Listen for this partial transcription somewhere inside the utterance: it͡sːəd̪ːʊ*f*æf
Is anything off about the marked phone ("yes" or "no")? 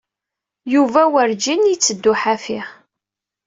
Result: yes